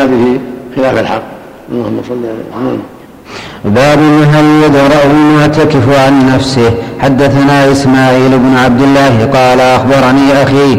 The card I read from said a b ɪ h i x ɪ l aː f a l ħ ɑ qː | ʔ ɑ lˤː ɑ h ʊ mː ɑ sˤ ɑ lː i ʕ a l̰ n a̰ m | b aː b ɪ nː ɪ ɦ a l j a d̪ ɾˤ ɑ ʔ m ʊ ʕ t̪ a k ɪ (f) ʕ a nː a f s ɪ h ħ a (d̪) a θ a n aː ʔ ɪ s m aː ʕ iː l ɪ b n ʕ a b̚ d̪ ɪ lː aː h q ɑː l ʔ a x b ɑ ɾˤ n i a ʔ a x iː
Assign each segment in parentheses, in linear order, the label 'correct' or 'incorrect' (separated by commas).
correct, incorrect